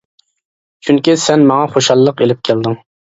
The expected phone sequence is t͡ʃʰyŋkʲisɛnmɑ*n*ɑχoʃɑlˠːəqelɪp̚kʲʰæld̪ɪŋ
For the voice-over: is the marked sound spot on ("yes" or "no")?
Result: no